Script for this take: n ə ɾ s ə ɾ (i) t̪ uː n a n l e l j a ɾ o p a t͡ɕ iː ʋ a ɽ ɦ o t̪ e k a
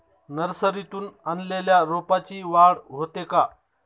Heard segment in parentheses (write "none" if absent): i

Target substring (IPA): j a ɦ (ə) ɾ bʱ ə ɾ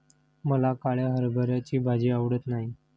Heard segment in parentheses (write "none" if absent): ə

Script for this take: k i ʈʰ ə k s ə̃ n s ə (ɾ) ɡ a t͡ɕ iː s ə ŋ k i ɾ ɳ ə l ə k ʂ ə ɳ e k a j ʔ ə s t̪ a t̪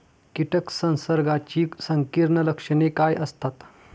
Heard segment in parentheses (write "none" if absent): ɾ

